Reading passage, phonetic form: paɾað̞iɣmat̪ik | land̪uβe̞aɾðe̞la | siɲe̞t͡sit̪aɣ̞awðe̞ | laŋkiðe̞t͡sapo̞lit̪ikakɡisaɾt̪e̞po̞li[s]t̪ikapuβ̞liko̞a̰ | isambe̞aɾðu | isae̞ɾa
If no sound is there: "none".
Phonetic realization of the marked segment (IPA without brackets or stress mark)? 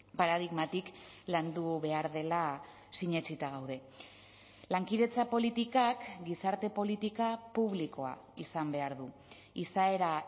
none